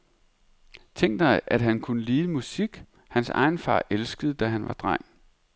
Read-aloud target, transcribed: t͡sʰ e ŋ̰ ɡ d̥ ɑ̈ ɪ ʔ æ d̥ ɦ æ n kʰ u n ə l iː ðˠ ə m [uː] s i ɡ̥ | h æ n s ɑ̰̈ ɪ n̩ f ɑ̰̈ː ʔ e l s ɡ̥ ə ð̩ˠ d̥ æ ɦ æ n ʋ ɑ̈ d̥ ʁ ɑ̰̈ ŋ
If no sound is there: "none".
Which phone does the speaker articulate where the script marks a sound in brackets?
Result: u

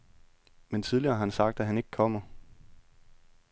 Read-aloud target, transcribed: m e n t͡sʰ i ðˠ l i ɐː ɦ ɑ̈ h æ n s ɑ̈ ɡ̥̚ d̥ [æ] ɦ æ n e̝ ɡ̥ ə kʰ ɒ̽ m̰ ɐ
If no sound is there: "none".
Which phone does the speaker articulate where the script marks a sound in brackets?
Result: æ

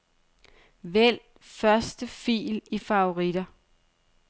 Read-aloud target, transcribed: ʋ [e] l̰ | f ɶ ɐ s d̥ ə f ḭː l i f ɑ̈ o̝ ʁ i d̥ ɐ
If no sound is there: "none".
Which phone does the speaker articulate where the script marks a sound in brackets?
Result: e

